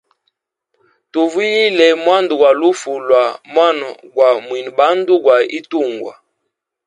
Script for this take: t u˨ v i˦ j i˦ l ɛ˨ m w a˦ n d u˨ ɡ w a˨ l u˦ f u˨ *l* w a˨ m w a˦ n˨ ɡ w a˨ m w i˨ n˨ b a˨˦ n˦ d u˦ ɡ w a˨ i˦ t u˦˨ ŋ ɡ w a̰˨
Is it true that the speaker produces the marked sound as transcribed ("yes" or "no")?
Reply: yes